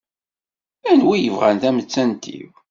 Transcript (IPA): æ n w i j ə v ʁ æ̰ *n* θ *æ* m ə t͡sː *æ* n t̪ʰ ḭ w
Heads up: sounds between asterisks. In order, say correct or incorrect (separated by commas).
correct, correct, correct